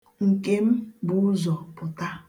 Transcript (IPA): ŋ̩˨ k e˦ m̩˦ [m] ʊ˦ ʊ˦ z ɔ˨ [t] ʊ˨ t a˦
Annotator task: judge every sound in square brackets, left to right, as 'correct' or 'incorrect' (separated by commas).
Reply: incorrect, incorrect